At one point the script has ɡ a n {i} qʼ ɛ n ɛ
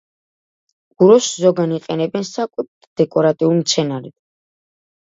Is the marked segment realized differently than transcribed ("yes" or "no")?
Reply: no